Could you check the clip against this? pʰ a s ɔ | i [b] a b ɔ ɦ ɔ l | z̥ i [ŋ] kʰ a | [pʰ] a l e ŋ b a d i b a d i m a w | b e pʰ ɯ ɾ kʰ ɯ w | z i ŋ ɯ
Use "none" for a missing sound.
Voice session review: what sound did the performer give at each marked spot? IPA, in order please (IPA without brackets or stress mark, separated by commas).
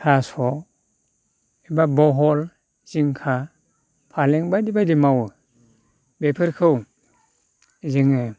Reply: b, ŋ, pʰ